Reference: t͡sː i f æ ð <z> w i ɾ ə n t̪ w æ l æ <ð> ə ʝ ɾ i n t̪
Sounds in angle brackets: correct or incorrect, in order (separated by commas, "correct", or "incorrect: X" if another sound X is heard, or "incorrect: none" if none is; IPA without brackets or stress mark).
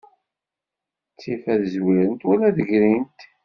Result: correct, correct